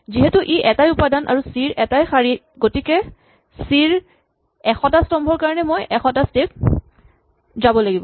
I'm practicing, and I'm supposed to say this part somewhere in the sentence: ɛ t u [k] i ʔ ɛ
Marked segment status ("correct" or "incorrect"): incorrect